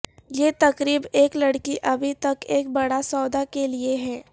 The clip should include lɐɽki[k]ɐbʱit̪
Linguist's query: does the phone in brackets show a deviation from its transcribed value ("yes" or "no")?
yes